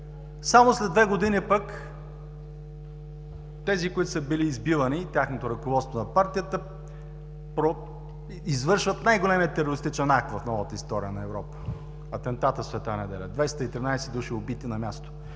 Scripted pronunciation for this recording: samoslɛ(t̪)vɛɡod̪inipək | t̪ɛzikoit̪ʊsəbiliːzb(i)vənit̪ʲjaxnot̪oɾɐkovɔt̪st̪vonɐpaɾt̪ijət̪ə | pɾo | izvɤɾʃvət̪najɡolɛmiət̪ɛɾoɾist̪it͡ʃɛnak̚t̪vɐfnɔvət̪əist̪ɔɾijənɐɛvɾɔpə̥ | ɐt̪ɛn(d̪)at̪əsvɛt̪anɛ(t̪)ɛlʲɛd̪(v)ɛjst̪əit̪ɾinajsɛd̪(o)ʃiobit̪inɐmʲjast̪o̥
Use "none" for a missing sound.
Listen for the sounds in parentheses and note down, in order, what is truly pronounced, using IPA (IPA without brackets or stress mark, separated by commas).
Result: d̪, i, t̪, d̪, v, u